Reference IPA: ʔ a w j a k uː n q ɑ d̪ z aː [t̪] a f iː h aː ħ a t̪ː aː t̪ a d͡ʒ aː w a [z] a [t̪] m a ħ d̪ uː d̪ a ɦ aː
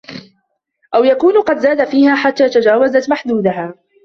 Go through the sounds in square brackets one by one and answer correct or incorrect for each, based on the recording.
incorrect, correct, correct

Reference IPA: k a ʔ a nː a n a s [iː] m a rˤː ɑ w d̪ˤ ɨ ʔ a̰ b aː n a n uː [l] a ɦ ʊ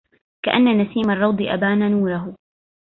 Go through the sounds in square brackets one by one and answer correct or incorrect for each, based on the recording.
correct, incorrect

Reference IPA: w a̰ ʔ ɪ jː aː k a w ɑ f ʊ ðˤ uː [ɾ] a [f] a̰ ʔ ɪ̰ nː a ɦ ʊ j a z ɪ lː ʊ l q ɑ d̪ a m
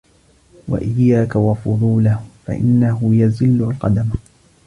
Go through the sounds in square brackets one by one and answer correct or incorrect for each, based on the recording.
incorrect, correct

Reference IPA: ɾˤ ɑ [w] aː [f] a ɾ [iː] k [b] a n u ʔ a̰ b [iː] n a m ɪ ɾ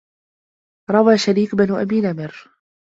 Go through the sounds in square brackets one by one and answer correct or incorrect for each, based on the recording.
correct, incorrect, correct, correct, correct

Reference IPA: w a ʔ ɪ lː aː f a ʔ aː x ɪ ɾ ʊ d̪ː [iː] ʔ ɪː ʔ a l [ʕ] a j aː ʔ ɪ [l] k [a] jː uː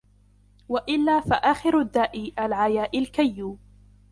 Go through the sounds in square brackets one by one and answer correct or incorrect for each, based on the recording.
incorrect, correct, correct, correct

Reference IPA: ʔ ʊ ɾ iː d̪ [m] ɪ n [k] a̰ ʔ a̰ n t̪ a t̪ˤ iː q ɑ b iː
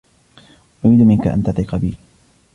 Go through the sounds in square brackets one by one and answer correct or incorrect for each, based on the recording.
correct, correct

